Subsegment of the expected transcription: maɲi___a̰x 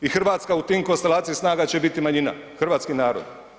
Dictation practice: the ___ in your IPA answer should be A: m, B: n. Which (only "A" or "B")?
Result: B